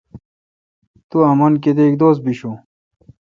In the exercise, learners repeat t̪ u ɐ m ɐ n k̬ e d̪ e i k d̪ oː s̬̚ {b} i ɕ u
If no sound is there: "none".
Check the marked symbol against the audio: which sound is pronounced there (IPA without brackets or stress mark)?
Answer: b